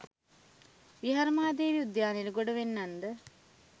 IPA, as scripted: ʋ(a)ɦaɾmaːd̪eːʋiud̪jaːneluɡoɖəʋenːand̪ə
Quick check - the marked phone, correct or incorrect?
incorrect: i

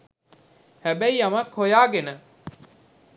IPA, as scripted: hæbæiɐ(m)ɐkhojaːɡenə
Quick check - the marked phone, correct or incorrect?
correct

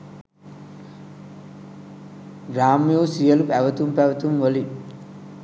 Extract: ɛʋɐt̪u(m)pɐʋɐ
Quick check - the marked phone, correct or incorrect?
correct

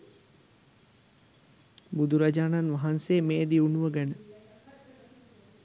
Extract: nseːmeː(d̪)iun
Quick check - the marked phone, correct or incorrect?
correct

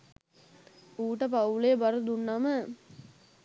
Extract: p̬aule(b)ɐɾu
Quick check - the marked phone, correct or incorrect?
correct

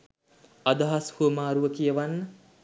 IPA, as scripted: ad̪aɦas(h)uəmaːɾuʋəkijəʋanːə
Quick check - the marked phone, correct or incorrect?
correct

